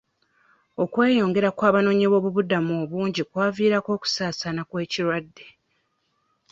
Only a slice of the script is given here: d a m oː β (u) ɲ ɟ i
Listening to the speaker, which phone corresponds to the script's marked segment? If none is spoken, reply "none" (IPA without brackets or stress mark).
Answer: uː